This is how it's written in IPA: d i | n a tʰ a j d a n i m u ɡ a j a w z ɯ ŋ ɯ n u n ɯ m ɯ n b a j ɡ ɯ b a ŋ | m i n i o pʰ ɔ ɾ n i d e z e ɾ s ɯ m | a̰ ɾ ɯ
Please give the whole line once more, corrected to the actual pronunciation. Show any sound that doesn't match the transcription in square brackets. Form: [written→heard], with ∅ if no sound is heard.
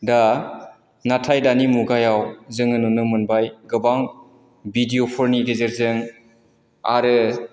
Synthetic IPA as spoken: d [i→a] | n a tʰ a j d a n i m u ɡ a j a w z ɯ ŋ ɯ n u n ɯ m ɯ n b a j ɡ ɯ b a ŋ | [m→b] i [n→d] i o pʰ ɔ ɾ n i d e z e ɾ [s→z] ɯ [m→ŋ] | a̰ ɾ ɯ

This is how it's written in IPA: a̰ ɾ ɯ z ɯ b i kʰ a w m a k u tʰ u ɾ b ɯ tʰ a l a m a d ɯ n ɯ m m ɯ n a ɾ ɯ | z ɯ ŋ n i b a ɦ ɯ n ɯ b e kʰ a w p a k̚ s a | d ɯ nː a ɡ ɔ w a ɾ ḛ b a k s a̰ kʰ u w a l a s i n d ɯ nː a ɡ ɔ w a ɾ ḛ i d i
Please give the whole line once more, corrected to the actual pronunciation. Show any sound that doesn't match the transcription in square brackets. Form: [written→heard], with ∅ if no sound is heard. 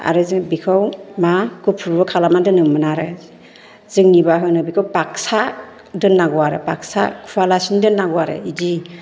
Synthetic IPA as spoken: a̰ ɾ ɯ z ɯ b i kʰ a w m a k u [tʰ→pʰ] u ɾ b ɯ [tʰ→kʰ] a l a m a d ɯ n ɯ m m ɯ n a ɾ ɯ | z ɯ ŋ n i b a ɦ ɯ n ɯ b [e→i] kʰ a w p a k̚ s a | d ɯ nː a ɡ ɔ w a ɾ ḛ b a k s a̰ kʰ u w a l a s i n d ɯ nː a ɡ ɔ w a ɾ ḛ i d i

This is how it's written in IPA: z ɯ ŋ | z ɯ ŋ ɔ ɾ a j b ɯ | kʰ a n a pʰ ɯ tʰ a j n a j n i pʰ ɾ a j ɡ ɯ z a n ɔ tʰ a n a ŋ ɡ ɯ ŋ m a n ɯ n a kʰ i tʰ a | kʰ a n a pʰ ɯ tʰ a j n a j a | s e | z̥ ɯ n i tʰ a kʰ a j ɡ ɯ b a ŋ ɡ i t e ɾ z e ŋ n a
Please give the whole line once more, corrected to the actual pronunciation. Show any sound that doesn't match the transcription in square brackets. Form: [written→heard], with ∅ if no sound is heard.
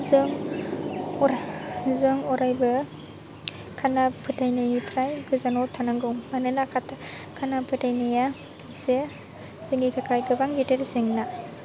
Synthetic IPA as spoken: z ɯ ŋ | z ɯ ŋ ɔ ɾ a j b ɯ | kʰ a n a pʰ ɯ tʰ a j n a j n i pʰ ɾ a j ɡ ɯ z a n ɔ tʰ a n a ŋ ɡ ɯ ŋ m a n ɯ n a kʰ [i→a] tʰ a | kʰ a n a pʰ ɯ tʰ a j n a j a | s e | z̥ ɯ n i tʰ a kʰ a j ɡ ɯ b a ŋ ɡ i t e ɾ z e ŋ n a

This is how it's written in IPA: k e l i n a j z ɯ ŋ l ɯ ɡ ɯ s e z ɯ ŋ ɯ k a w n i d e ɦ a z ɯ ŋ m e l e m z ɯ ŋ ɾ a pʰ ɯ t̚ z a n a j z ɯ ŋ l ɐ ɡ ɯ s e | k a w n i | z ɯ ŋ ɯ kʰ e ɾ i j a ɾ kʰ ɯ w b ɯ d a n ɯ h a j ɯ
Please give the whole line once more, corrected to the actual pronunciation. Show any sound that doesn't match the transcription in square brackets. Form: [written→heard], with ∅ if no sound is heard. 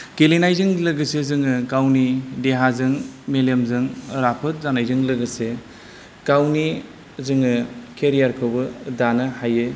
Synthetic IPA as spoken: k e l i n a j z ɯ ŋ l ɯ ɡ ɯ s e z ɯ ŋ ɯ k a w n i d e ɦ a z ɯ ŋ m e l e m z ɯ ŋ ɾ a pʰ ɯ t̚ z a n a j z ɯ ŋ l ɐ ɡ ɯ s e | k a w n i | z ɯ ŋ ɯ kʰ e ɾ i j a ɾ kʰ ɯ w b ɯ d a n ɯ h a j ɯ

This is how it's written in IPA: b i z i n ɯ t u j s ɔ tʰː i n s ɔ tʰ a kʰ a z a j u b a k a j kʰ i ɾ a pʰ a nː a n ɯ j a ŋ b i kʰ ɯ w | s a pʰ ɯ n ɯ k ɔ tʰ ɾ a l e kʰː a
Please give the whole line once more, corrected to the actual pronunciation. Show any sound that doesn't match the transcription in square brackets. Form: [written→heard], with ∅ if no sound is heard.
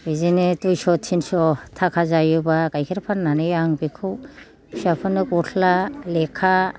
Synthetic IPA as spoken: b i z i n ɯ t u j s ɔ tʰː i n s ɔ tʰ a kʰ a z a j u b a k a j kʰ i ɾ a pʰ a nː a n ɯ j a ŋ b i kʰ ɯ w | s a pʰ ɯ n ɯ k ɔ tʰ [ɾ→l] a l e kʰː a

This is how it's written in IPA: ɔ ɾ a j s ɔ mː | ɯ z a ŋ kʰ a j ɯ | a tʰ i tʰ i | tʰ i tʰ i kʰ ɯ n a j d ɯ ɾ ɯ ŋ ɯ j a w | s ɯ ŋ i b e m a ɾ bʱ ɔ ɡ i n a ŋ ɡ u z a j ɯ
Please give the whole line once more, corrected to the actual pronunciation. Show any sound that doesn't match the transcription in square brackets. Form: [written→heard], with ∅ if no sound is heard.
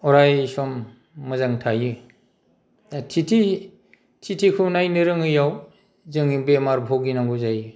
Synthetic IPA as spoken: ɔ ɾ a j s ɔ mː | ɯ z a ŋ [kʰ→tʰ] a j ɯ | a tʰ i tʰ i | tʰ i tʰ i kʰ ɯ n a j [d→n] ɯ ɾ ɯ ŋ ɯ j a w | [s→z] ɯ ŋ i b e m a ɾ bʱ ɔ ɡ i n a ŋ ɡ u z a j ɯ

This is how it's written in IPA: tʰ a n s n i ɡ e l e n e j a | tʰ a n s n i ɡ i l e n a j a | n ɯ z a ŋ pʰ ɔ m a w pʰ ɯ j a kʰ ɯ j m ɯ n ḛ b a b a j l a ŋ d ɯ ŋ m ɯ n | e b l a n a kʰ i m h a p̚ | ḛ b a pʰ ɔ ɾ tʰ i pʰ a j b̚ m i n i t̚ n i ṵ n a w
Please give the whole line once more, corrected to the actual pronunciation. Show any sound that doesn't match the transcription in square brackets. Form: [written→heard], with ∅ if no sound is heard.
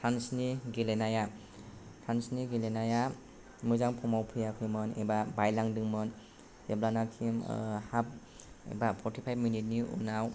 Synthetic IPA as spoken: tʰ a n s n i ɡ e l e n [e→a] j a | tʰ a n s n i ɡ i l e n a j a | [n→m] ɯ z a ŋ pʰ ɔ m a w pʰ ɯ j a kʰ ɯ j m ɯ n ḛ b a b a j l a ŋ d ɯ ŋ m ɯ n | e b l a n a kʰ i m h a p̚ | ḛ b a pʰ ɔ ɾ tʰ i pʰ a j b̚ m i n i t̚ n i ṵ n a w

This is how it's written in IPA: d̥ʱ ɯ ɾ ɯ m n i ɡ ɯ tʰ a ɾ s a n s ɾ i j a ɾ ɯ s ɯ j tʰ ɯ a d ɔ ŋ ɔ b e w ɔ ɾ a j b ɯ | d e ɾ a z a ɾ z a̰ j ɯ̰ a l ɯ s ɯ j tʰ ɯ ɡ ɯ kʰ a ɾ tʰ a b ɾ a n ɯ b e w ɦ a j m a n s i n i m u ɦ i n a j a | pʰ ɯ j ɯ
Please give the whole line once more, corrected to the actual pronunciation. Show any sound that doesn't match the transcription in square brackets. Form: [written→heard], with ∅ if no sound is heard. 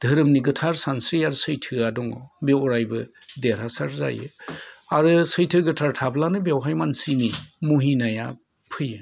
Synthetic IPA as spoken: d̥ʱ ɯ ɾ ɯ m n i ɡ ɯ tʰ a ɾ s a n s ɾ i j a ɾ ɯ s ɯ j tʰ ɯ a d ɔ ŋ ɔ b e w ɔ ɾ a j b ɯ | d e ɾ a [z→s] a ɾ z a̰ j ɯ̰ a [l→ɾ] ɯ s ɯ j tʰ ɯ ɡ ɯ [kʰ→tʰ] a ɾ tʰ a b [ɾ→l] a n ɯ b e w ɦ a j m a n s i n i m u ɦ i n a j a | pʰ ɯ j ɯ

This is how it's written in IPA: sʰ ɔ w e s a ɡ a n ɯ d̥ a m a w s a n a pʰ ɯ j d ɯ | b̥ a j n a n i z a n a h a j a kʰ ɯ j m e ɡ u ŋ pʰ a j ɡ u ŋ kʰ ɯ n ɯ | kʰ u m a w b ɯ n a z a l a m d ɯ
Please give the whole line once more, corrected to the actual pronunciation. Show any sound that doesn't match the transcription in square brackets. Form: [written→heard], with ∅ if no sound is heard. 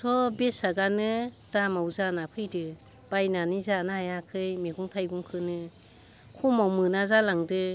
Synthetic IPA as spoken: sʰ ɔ [w→b] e s a ɡ a n ɯ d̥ a m a w [s→z] a n a pʰ ɯ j d ɯ | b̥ a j n a n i z a n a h a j a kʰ ɯ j m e ɡ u ŋ [pʰ→tʰ] a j ɡ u ŋ kʰ ɯ n ɯ | kʰ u m a w [b→m] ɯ n a z a l a [m→ŋ] d ɯ

